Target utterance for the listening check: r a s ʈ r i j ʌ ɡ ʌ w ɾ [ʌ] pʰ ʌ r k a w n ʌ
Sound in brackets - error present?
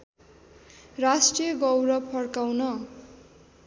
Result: no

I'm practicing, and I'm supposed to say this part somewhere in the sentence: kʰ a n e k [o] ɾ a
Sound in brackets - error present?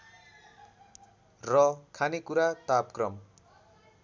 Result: yes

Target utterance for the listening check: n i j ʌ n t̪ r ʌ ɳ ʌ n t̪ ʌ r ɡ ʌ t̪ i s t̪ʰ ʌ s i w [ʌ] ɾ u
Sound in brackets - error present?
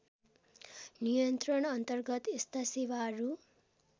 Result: yes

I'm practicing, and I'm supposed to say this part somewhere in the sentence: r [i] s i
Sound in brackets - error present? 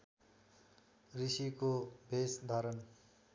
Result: no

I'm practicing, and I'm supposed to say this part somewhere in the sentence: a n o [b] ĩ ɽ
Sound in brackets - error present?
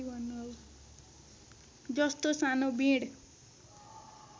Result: no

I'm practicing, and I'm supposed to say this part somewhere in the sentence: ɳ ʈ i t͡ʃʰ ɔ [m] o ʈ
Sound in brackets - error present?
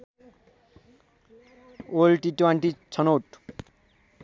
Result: yes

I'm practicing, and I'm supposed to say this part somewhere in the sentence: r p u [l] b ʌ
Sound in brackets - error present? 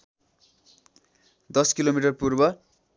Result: yes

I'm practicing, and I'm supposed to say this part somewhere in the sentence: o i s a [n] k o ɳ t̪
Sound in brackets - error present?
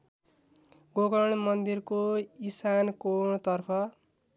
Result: no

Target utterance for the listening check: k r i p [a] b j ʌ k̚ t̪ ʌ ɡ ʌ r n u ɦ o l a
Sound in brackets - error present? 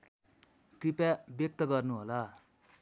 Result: no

